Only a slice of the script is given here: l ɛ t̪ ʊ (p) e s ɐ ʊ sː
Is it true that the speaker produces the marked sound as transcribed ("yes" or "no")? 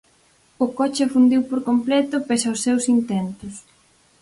yes